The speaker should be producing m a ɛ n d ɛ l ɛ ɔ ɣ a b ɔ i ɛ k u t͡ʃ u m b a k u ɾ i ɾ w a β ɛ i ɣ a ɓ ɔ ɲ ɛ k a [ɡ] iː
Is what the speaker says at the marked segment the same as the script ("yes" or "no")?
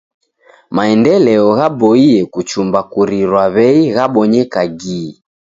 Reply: yes